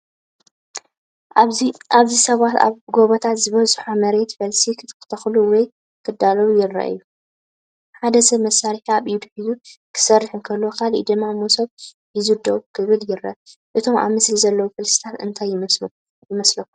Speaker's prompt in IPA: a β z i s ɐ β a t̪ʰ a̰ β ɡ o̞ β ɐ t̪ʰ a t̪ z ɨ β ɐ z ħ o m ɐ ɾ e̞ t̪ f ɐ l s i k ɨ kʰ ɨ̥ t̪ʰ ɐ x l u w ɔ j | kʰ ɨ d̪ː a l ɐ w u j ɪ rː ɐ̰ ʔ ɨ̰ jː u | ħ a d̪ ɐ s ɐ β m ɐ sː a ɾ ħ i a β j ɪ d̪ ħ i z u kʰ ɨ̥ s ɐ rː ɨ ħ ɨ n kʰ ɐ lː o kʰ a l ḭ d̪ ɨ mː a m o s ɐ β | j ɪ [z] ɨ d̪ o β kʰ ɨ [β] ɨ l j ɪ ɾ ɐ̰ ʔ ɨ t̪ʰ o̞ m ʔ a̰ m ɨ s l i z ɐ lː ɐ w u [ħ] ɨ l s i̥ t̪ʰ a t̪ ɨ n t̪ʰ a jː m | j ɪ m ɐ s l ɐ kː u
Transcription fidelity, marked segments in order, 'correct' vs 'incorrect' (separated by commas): correct, correct, incorrect